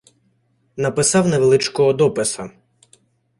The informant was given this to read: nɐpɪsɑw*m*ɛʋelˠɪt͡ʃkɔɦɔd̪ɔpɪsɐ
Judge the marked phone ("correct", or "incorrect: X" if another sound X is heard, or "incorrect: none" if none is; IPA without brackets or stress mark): incorrect: n